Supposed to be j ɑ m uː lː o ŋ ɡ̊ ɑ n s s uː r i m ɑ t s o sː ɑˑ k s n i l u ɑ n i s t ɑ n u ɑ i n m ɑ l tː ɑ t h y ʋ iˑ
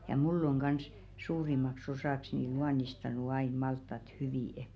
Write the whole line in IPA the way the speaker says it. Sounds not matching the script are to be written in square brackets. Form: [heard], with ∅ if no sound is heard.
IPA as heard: j ɑ m [u] lː o ŋ ɡ̊ ɑ n s s uː r i m ɑ [k] s o [s] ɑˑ k s n i l u ɑ n i s t ɑ n u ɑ i n m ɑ l tː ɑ t h y ʋ iˑ